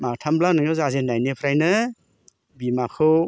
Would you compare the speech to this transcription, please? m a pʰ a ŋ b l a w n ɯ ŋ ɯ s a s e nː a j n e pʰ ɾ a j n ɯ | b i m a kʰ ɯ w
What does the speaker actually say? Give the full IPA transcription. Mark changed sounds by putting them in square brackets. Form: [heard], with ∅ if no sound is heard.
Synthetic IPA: m a [tʰ] a [m] b l a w n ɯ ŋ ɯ [z] a [z] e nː a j n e pʰ ɾ a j n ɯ | b i m a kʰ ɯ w